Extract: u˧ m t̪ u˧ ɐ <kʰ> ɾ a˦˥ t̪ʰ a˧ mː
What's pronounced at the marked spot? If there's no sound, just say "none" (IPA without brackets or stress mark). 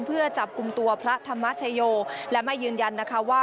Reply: pʰ